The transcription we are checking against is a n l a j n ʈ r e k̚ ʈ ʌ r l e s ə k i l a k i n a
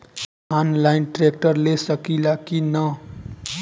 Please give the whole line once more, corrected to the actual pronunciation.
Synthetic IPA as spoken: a n l a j n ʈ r e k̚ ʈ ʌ r l e s ʌ k i l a k i n ʌ